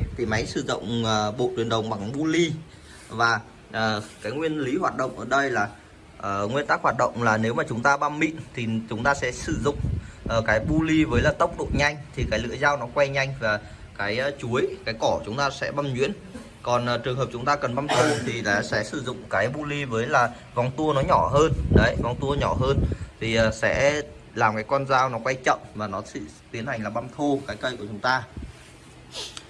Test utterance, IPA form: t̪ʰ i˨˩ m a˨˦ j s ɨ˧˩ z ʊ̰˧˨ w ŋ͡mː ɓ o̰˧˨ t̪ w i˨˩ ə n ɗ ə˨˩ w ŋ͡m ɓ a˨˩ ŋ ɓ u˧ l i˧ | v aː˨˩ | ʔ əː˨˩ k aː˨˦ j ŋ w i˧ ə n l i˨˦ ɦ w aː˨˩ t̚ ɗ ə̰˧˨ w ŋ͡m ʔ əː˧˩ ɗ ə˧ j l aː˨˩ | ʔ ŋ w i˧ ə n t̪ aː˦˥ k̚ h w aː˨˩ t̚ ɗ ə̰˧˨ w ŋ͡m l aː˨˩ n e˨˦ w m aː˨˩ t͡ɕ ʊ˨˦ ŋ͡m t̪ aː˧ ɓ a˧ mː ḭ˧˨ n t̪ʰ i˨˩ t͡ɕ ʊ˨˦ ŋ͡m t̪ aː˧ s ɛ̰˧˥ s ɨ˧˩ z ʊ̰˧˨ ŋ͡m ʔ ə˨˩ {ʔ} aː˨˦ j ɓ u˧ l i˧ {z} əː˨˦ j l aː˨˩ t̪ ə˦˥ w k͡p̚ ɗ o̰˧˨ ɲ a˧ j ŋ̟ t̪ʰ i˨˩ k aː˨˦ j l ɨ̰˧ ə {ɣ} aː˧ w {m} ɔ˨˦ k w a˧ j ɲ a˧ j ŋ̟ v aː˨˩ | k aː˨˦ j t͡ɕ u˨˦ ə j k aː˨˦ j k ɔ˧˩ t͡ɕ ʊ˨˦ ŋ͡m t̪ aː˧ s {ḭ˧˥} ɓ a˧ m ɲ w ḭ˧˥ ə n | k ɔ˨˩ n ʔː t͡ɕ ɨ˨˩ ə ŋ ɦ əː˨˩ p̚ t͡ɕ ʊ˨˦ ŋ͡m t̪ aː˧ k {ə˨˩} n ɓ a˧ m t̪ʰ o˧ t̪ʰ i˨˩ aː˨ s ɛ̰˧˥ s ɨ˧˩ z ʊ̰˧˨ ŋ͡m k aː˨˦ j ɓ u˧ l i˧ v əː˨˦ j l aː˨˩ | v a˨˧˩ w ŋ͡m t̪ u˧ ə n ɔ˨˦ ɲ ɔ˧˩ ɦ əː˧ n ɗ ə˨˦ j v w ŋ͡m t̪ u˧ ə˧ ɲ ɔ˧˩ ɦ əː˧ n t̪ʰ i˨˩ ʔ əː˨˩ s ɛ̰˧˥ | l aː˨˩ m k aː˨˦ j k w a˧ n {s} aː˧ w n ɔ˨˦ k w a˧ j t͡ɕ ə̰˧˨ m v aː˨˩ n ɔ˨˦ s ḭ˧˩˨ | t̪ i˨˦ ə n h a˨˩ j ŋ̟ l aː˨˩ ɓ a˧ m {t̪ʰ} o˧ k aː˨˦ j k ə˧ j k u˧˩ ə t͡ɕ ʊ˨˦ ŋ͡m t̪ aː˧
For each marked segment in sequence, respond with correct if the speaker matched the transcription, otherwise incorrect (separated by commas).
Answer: incorrect, incorrect, incorrect, incorrect, incorrect, correct, incorrect, correct